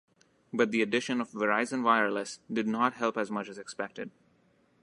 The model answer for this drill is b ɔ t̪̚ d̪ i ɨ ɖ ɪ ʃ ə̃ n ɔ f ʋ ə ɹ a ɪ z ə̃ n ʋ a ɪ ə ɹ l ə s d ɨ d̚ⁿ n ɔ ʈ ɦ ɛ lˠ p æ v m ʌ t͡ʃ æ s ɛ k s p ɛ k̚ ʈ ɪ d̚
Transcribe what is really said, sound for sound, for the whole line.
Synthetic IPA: b ʌ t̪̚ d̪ i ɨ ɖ ɪ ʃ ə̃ n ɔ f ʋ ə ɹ a ɪ z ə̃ n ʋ a ɪ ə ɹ l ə s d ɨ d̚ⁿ n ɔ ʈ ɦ ɛ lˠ p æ z m ʌ t͡ʃ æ z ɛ k s p ɛ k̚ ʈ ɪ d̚